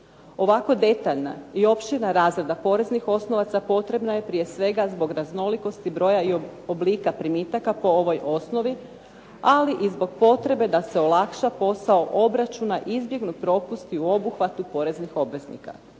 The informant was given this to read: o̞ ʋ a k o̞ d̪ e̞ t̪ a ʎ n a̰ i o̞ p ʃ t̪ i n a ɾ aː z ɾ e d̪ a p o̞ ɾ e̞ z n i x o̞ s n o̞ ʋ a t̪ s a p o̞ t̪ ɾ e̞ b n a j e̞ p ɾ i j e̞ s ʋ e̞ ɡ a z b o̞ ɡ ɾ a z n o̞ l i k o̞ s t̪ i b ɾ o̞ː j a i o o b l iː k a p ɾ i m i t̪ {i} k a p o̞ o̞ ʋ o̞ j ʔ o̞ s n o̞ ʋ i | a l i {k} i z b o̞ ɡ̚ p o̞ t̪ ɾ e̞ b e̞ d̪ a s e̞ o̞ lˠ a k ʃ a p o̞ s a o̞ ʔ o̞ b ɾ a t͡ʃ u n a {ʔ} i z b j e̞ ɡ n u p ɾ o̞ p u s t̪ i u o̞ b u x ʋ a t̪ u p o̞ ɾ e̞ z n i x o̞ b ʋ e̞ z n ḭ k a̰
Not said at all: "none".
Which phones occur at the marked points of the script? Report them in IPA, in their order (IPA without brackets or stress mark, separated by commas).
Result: a, ʔ, ʔ